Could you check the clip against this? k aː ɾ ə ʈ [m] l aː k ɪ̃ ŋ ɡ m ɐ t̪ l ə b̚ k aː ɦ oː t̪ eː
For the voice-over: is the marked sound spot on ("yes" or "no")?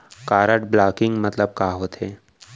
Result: no